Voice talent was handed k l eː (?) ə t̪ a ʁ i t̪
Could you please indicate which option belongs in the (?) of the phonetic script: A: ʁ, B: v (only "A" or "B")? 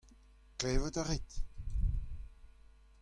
B